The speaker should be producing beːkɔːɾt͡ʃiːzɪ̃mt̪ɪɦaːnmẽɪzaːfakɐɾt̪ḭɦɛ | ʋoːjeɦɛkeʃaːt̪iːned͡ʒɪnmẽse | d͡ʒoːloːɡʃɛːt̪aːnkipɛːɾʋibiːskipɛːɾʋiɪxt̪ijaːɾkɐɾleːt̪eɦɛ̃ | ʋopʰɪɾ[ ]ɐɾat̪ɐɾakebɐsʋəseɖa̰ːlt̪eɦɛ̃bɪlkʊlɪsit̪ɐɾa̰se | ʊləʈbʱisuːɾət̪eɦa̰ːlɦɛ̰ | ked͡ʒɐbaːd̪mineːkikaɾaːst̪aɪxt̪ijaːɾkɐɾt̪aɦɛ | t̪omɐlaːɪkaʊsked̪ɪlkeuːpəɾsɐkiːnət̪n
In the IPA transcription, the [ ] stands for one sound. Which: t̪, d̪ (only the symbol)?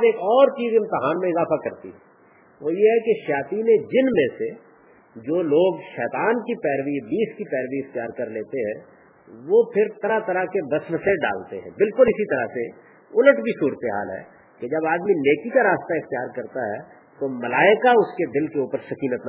t̪